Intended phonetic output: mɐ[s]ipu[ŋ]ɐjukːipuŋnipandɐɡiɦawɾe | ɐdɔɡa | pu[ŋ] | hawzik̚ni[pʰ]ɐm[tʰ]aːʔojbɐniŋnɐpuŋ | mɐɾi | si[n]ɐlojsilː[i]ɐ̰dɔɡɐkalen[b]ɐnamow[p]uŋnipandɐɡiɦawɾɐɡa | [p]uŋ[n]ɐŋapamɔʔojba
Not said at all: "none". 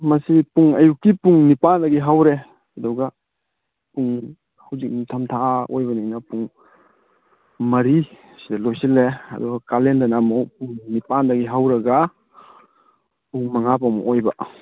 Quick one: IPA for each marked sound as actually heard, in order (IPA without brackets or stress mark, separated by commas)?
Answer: s, ŋ, ŋ, tʰ, tʰ, d, e, d, p, p, m